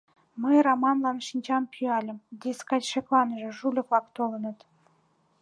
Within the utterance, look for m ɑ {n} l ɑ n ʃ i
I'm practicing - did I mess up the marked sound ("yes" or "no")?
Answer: no